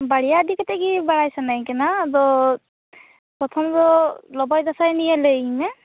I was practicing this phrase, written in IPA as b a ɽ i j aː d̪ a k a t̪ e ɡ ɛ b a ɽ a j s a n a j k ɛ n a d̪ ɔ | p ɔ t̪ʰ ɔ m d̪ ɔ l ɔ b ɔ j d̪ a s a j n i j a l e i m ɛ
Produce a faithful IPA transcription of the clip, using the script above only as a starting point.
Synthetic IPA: b a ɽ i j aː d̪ i k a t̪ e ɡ i b a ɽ a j s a n a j k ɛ n a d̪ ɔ | p ɔ t̪ʰ ɔ m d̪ ɔ l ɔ b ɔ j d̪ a s a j n i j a l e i m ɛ